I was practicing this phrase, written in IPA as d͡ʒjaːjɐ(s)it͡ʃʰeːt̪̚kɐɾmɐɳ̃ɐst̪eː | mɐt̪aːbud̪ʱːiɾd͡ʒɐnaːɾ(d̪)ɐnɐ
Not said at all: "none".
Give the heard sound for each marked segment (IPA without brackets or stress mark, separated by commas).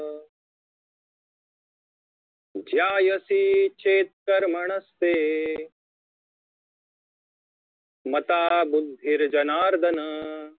s, d̪